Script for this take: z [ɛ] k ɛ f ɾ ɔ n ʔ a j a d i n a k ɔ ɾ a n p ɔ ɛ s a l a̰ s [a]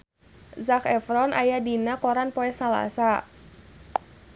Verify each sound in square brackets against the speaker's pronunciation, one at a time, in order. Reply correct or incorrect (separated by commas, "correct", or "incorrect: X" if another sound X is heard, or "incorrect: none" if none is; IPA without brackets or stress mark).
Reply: incorrect: a, correct